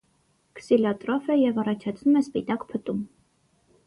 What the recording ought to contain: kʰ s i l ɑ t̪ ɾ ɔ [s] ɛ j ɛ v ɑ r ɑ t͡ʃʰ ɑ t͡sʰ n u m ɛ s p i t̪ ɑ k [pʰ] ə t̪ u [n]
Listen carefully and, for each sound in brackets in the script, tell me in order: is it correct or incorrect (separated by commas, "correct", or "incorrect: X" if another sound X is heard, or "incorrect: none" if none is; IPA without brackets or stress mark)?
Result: incorrect: f, correct, incorrect: m